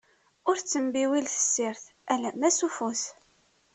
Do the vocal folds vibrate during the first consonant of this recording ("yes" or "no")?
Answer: yes